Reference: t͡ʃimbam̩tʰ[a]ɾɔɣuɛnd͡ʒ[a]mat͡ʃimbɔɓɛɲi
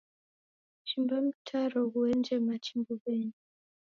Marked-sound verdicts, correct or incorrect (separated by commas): correct, incorrect